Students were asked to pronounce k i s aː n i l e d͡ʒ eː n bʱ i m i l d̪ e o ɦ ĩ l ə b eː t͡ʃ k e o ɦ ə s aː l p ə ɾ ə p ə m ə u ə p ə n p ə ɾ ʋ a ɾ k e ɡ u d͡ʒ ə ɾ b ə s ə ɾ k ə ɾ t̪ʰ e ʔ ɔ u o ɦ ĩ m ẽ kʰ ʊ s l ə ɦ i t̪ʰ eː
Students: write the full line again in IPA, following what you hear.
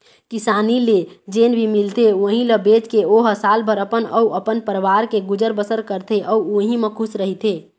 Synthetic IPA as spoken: k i s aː n i l e d͡ʒ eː n bʱ i m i l t̪ e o ɦ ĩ l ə b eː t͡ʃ k e o ɦ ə s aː l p ə ɾ ə p ə n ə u ə p ə n p ə ɾ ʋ a ɾ k e ɡ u d͡ʒ ə ɾ b ə s ə ɾ k ə ɾ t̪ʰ e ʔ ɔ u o ɦ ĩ m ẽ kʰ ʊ s ɾ ə ɦ i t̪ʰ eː